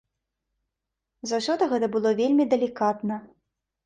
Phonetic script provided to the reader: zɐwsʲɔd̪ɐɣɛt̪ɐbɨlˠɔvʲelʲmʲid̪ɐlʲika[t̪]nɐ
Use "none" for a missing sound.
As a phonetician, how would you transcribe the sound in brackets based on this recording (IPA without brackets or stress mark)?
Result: t̪